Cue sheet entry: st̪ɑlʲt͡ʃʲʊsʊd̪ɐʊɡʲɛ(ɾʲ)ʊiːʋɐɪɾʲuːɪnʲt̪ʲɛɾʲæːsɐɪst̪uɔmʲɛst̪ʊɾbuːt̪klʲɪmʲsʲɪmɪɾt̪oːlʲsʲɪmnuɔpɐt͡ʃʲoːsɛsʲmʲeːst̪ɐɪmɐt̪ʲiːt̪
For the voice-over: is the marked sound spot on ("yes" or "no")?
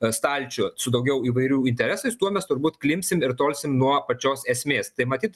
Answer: no